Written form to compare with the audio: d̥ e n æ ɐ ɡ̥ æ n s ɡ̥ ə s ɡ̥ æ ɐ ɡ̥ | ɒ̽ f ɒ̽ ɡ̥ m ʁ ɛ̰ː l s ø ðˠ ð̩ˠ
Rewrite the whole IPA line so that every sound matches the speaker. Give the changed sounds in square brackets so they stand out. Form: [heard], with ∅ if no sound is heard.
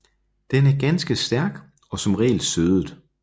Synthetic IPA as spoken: d̥ e n æ ɐ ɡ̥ æ n s ɡ̥ ə s [d̥] æ ɐ ɡ̥ | ɒ̽ [s] ɒ̽ [∅] m ʁ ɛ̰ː l s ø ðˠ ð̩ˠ